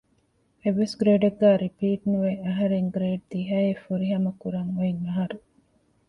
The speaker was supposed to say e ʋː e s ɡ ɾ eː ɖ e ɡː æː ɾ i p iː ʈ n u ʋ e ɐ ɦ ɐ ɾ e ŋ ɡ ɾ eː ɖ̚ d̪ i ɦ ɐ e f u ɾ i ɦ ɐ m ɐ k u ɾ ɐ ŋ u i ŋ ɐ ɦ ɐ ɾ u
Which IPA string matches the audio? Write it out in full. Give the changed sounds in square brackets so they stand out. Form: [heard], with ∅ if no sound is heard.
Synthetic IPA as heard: e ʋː e s ɡ ɾ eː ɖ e ɡː æː ɾ i p iː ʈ n u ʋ e ɐ ɦ ɐ ɾ e ŋ ɡ ɾ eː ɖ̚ d̪ i ɦ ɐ e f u ɾ i ɦ ɐ m ɐ k u ɾ ɐ ŋ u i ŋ ɐ ɦ ɐ ɾ u